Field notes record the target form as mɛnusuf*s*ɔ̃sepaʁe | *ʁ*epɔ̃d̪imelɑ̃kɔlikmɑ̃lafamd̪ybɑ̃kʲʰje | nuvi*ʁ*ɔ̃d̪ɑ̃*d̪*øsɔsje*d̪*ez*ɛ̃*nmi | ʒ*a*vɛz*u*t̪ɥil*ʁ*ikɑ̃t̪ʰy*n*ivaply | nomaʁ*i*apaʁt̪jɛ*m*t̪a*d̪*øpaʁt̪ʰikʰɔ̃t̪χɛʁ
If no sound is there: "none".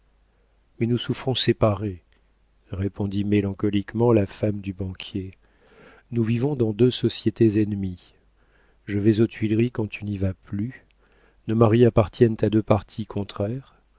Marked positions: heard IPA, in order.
χ, ʁ, v, d̪, t̪, ɛ, ə, o, ʁ, n, i, n, d̪

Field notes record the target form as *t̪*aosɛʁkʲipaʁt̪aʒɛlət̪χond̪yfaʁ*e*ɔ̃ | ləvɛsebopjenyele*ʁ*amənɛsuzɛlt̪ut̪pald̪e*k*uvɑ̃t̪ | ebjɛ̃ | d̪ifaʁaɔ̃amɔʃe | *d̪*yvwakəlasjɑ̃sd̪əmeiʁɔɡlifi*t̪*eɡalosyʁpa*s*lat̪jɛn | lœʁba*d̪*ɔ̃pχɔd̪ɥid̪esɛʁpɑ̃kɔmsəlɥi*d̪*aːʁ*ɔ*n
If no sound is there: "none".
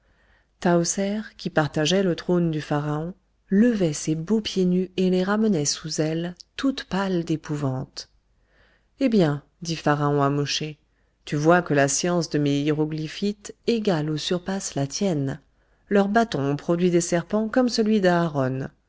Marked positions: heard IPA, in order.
t̪, a, ʁ, p, t̪, t̪, s, t̪, d̪, ɔ

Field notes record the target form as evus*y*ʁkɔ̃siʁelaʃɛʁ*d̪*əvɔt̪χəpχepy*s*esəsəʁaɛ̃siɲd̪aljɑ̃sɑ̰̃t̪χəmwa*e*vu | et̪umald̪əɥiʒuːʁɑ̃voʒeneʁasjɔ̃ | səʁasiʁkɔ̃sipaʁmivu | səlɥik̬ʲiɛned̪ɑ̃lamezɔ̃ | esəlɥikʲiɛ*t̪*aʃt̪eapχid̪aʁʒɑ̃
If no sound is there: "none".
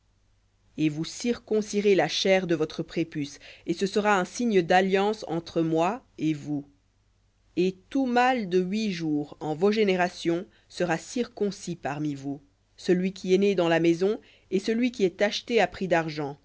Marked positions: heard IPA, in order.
i, d̪, s, e, t̪

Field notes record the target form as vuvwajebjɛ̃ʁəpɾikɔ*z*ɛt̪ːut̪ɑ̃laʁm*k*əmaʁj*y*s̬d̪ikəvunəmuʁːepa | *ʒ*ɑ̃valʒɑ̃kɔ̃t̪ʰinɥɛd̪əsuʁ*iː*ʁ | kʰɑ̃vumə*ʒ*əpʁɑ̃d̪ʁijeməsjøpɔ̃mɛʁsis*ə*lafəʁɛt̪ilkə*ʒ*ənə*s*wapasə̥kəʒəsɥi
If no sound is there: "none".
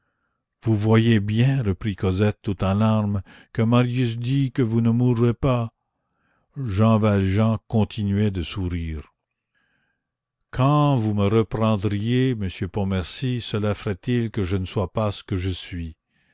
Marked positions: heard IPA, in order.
z, k, y, ʒ, iː, ʁ, ə, ʒ, s

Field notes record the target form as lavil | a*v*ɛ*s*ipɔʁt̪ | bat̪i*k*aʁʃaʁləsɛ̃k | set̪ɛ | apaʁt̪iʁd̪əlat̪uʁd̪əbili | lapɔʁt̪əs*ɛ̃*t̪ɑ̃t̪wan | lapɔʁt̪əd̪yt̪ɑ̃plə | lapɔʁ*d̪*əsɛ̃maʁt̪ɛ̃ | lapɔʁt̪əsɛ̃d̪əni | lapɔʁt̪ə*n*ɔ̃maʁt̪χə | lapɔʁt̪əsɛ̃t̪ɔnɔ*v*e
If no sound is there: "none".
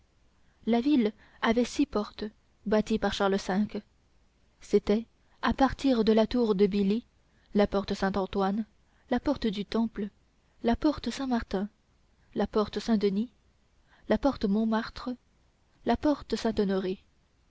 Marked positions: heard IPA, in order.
v, s, p, ɛ̃, t̪, m, ʁ

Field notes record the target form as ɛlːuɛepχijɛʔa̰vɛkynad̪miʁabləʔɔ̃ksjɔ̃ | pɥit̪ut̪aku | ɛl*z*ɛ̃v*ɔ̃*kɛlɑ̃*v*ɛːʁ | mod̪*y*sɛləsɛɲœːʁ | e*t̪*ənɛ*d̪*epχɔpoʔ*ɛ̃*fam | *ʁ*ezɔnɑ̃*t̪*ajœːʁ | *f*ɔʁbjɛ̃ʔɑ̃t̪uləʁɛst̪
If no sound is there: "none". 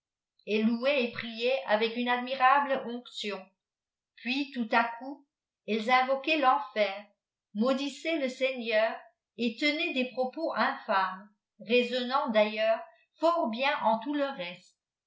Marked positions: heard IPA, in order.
z, ɔ, f, i, t̪, d̪, ɛ̃, ʁ, d̪, f

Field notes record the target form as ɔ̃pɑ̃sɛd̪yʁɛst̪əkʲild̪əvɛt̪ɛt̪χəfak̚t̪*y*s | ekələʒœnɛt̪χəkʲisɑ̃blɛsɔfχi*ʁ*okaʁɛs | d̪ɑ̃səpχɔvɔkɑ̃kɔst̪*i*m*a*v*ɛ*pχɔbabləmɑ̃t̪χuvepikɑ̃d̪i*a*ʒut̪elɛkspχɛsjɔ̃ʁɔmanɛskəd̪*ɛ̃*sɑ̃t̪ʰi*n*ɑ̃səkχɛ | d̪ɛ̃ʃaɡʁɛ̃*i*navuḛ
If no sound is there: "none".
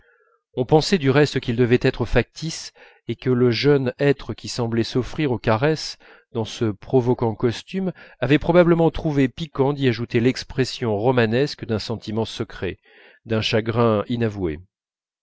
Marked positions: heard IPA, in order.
i, ʁ, y, a, ɛ, a, ɛ̃, m, i

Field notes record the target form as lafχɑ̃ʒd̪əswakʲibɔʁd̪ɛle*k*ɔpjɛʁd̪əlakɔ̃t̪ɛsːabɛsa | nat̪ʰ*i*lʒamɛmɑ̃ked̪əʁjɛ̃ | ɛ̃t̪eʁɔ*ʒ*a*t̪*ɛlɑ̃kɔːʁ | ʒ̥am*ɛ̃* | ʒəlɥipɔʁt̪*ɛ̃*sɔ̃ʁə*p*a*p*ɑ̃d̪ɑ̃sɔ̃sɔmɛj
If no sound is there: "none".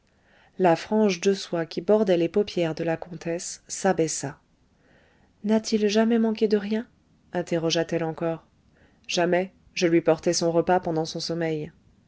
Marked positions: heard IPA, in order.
p, i, ʒ, t̪, ɛ, ɛ, p, p

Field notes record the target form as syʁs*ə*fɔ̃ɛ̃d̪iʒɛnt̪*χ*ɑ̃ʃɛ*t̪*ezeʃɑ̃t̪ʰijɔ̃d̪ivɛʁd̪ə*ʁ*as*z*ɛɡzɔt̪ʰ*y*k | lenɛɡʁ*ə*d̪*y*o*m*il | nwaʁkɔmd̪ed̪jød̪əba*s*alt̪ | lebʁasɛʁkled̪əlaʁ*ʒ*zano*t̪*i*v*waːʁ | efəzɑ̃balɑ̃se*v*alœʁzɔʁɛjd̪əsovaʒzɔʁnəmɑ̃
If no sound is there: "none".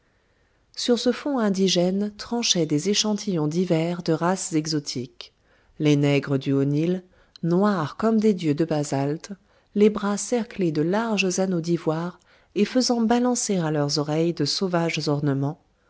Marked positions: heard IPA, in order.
ə, χ, d̪, ʁ, z, i, ə, y, n, z, ʒ, d̪, v, ʁ

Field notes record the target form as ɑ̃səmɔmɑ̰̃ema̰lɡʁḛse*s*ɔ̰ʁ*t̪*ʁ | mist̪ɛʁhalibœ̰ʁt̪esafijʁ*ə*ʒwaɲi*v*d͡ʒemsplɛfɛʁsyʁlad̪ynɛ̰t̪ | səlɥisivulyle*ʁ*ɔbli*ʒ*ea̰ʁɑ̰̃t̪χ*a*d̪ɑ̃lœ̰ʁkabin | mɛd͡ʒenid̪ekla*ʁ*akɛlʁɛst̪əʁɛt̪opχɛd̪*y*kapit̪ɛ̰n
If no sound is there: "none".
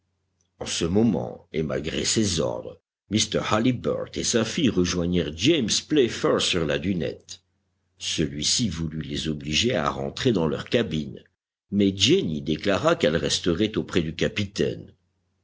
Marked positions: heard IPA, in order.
z, d̪, ə, ʁ, z, ʒ, e, ʁ, y

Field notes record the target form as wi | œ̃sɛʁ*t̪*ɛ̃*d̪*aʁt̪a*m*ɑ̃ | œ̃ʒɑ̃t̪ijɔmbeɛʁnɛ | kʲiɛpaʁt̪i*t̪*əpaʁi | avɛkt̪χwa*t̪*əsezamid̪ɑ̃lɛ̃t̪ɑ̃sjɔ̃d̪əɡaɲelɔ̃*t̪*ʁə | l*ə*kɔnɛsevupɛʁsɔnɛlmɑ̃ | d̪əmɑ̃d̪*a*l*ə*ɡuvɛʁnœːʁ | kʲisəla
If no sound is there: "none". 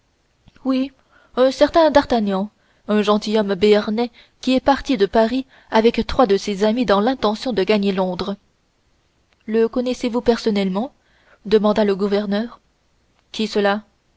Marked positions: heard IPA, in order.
t̪, d̪, ɲ, d̪, d̪, d̪, ə, a, ə

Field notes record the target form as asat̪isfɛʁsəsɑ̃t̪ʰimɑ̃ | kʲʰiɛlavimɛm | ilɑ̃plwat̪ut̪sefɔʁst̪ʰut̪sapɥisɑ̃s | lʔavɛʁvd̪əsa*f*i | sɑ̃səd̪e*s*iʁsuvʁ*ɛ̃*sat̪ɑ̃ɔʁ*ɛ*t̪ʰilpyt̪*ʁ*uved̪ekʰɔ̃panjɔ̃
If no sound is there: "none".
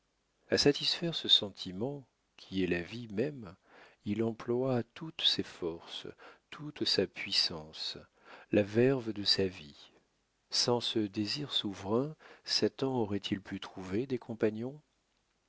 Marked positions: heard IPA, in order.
v, z, ɛ̃, ɛ, χ

